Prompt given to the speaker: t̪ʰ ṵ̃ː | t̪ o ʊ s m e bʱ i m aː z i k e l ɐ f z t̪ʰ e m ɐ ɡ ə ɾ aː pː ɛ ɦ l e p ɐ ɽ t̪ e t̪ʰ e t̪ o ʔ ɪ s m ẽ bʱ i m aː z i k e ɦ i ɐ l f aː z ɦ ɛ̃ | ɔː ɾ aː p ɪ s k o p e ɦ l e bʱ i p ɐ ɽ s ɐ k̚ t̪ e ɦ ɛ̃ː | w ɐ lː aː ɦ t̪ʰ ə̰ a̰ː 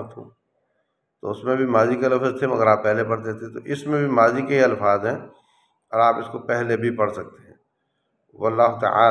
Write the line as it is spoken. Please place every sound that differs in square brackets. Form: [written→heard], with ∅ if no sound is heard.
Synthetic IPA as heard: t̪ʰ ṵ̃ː | t̪ o ʊ s m [e→ẽ] bʱ i m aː z i k e l ɐ f z t̪ʰ e m ɐ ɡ ə ɾ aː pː ɛ ɦ l e p ɐ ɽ t̪ e t̪ʰ e t̪ o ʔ ɪ s m ẽ bʱ i m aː z i k e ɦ i ɐ l f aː z ɦ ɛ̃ | ɔː ɾ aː p ɪ s k o p [e→ɛ] ɦ l e bʱ i p ɐ ɽ s ɐ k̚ t̪ e ɦ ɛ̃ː | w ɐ lː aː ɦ [t̪ʰ→t̪] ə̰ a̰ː